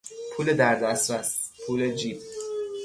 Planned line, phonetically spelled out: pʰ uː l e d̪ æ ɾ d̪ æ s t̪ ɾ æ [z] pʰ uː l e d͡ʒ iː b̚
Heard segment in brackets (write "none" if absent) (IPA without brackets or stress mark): s